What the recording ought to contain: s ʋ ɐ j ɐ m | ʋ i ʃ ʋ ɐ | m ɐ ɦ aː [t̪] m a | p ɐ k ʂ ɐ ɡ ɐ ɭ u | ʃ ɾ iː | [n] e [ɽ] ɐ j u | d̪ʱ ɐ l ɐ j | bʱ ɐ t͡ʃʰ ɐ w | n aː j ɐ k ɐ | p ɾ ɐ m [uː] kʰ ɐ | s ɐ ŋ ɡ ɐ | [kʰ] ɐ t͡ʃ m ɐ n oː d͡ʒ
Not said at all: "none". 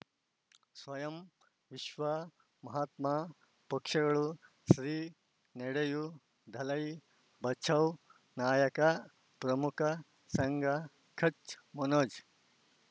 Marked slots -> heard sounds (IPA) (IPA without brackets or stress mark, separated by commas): t̪, n, ɽ, u, kʰ